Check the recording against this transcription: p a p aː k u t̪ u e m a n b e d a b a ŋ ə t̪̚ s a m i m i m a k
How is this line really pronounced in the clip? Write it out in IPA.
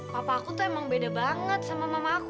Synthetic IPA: p a p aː k u t̪ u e m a ŋ b e d a b a ŋ ə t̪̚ s a m a m a m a k